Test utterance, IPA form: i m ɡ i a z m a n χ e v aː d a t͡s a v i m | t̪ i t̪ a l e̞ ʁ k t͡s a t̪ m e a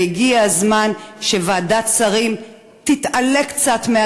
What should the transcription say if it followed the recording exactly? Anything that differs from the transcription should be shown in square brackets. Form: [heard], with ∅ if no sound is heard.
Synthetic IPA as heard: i [∅] ɡ i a z m a n [ʃ] e v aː d a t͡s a [ʁ] i m | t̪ i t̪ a l e̞ [∅] k t͡s a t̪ m e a